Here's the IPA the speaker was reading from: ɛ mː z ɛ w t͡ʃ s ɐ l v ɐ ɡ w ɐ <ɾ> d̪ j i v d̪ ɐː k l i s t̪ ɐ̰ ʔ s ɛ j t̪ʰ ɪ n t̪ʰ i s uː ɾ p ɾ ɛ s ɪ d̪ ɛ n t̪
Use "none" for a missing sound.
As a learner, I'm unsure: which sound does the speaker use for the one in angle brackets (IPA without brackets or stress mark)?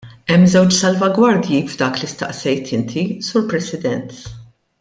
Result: ɾ